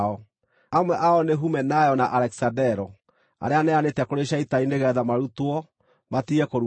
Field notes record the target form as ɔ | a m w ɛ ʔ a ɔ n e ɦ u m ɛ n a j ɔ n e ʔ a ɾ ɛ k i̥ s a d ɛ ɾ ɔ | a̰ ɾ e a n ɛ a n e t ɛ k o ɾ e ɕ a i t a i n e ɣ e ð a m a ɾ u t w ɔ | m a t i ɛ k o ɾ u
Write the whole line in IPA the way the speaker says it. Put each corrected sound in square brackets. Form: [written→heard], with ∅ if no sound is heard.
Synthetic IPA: ɔ | a m w ɛ ʔ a ɔ n e ɦ u m ɛ n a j ɔ n [e→a] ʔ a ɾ ɛ k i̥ s a d ɛ ɾ ɔ | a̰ ɾ e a n ɛ a n e t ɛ k o ɾ e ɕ a i t a i n e ɣ [e→ɛ] ð a m a ɾ u t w ɔ | m a t i ɛ k o ɾ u